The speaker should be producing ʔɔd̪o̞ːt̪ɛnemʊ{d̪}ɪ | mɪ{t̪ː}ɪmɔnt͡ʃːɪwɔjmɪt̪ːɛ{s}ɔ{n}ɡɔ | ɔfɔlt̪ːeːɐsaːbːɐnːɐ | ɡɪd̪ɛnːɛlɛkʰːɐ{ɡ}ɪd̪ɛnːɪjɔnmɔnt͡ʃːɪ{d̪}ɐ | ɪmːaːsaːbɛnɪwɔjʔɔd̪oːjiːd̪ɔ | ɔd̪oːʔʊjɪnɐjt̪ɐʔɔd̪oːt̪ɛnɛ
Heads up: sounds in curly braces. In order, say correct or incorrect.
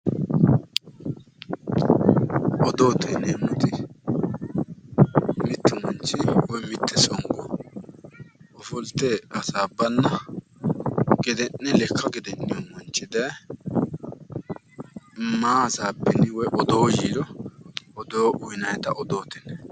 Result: incorrect: t̪, correct, correct, incorrect: ŋ, correct, correct

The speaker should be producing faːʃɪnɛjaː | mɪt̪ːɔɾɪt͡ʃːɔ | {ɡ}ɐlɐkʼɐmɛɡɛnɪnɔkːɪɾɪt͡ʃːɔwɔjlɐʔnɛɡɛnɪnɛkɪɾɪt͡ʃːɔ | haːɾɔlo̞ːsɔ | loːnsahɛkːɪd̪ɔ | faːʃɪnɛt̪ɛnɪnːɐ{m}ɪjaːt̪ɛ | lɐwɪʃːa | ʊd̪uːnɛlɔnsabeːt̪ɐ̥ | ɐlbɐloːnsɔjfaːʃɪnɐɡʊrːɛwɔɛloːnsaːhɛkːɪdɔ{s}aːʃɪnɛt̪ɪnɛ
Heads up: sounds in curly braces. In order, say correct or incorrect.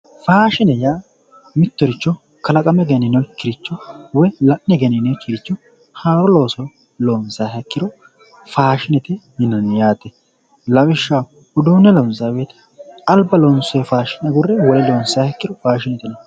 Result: incorrect: k, incorrect: n, incorrect: f

